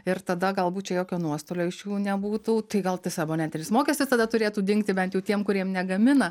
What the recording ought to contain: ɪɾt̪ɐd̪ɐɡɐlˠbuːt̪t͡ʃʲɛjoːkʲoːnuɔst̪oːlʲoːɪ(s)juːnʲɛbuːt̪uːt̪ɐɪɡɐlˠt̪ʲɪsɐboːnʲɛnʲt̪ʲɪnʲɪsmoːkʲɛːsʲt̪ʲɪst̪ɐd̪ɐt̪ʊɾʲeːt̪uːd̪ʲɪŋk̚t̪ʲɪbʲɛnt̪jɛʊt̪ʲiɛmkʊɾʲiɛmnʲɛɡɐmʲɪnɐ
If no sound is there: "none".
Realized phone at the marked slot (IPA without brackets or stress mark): ʃ